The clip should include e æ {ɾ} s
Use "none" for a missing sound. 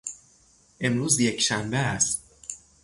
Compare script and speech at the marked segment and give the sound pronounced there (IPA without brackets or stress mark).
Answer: none